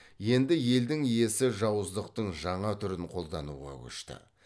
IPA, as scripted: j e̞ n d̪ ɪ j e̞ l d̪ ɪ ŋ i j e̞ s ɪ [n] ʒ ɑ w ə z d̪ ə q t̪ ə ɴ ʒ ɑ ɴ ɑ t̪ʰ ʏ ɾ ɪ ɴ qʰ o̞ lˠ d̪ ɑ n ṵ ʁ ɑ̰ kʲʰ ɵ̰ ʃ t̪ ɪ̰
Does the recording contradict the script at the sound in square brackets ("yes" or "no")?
yes